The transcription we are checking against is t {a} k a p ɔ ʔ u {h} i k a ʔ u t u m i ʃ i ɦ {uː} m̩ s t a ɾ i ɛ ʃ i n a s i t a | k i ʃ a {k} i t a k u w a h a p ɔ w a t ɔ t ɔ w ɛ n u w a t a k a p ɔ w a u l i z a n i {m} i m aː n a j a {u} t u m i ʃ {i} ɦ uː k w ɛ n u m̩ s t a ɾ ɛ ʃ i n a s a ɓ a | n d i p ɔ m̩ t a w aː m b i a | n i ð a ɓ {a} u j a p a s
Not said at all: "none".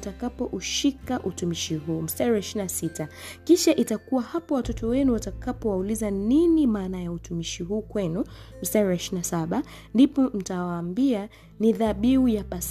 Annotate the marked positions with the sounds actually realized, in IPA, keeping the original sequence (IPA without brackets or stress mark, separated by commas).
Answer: a, ʃ, uː, ʔ, n, u, i, i